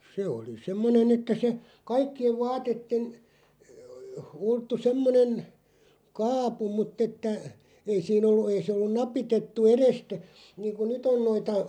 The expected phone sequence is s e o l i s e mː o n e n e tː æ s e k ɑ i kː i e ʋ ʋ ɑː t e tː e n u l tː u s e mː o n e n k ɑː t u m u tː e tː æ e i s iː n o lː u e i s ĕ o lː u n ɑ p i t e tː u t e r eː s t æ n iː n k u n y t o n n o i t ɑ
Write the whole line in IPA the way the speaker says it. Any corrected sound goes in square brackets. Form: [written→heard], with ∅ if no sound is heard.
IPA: s e o l i s e mː o n e n e tː æ s e k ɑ i kː i e ʋ ʋ ɑː t e tː e n u l tː u s e mː o n e n k ɑː [t→p] u m u tː e tː æ e i s iː n o lː u e i s ĕ o lː u n ɑ p i t e tː u [t→∅] e r [eː→e] s t æ n iː [n→ŋ] k u n y t o n n o i t ɑ